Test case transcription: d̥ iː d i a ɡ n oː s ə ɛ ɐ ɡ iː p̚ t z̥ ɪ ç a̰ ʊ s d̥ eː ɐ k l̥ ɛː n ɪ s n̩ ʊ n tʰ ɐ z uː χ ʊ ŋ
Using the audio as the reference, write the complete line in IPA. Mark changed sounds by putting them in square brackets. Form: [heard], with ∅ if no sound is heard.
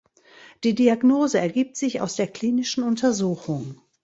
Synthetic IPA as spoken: d̥ iː d i a ɡ n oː [z] ə ɛ ɐ ɡ iː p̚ t z̥ ɪ ç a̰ ʊ s d̥ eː ɐ k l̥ [iː] n ɪ [ʃ] n̩ ʊ n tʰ ɐ z uː [x] ʊ ŋ